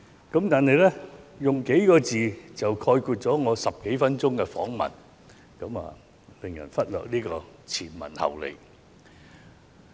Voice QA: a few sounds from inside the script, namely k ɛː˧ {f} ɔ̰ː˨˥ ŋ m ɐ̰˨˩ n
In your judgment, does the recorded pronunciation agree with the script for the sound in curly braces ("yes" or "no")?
yes